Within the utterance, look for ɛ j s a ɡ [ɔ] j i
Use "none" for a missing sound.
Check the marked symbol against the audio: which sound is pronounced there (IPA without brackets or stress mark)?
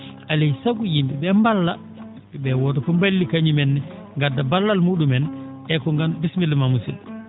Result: u